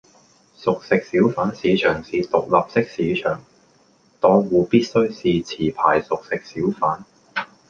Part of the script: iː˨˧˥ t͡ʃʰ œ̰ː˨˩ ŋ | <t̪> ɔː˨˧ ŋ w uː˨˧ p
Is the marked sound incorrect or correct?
correct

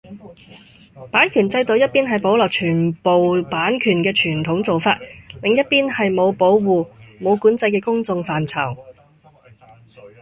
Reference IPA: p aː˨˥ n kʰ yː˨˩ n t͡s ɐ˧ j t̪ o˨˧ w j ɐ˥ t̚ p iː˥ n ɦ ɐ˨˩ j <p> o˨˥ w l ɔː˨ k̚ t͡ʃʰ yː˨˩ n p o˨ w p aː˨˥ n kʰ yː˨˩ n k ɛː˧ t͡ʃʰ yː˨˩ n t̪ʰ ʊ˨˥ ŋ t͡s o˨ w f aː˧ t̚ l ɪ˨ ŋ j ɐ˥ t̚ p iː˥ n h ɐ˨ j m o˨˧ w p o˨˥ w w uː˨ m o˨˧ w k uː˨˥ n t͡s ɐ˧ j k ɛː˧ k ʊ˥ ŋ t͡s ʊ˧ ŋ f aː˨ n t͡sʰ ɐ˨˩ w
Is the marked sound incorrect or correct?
correct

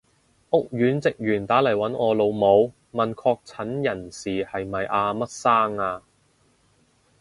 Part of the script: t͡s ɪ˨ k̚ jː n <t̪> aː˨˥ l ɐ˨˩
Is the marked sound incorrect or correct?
correct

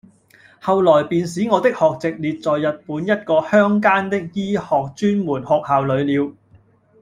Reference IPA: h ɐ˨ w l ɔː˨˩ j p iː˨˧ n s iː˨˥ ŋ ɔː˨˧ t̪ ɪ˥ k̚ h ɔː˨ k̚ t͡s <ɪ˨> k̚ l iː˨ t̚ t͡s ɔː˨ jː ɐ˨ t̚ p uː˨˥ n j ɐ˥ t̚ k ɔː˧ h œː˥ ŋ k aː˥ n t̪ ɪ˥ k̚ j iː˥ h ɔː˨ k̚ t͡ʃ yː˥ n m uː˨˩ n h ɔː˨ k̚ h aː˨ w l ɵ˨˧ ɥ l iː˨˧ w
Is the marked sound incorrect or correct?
correct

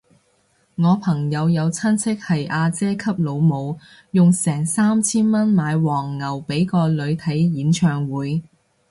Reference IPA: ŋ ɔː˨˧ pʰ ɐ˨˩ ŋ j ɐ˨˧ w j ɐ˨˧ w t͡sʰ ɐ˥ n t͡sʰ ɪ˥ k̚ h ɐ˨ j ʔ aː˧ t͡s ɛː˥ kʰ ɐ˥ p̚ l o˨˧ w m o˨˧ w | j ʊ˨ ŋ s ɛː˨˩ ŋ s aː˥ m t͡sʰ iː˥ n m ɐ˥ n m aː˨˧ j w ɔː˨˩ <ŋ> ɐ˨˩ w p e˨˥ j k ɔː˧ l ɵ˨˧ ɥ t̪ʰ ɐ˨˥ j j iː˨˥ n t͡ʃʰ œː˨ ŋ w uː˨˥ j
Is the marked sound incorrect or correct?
incorrect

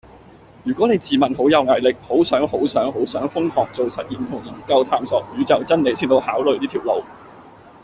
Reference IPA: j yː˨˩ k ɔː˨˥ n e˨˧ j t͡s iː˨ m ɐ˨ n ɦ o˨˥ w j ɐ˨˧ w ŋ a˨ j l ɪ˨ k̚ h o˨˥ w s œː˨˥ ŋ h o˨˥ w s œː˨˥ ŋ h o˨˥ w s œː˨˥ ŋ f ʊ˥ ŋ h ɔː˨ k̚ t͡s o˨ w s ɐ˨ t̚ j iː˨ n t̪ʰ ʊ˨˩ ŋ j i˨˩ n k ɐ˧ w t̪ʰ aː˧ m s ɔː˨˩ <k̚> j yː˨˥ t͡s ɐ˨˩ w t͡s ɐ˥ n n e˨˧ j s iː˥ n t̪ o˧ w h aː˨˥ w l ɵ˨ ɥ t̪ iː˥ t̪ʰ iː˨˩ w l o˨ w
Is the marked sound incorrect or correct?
correct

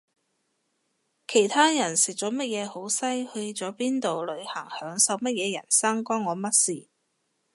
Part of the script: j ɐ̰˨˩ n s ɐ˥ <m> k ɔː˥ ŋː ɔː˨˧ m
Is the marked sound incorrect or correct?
incorrect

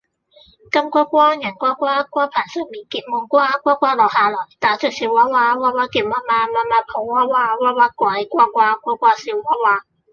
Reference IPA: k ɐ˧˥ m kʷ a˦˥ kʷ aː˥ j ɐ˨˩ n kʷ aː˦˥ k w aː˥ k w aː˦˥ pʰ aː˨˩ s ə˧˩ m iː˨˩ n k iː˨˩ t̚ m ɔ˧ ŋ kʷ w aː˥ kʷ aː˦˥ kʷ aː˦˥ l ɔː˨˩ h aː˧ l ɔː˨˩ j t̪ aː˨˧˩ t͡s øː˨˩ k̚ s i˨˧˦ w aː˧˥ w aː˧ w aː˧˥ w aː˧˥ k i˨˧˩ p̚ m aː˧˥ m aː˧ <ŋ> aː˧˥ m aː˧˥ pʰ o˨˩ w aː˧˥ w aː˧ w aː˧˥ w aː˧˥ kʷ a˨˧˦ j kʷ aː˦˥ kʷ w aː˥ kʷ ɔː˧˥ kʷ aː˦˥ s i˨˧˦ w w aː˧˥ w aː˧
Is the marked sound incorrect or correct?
incorrect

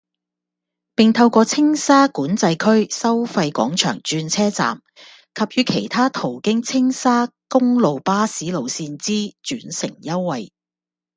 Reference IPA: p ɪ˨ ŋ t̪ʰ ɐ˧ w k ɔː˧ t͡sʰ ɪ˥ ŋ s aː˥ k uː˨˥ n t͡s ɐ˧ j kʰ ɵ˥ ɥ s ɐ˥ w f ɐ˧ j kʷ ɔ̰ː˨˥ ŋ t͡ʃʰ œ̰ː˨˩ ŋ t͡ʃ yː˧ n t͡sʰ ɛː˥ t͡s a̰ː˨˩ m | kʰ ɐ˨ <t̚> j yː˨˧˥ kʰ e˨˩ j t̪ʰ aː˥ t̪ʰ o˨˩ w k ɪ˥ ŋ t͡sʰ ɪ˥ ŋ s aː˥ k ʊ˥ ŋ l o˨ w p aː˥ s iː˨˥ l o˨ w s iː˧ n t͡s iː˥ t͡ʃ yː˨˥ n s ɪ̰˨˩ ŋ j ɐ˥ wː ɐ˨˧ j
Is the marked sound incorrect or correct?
incorrect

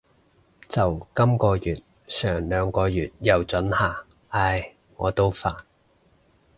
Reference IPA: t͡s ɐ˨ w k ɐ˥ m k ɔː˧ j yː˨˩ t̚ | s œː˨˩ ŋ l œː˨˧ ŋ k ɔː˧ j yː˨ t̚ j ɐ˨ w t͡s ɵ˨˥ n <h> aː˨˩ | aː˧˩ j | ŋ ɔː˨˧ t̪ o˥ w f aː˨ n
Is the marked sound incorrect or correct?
correct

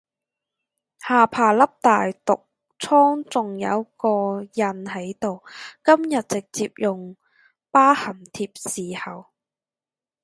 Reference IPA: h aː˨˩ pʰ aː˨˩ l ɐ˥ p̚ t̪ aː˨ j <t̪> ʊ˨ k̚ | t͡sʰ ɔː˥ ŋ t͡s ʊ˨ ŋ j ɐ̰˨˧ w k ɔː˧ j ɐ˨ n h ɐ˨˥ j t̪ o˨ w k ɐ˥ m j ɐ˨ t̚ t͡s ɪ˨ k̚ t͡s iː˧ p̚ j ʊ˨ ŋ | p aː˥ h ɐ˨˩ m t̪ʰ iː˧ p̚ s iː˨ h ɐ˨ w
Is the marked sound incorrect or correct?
correct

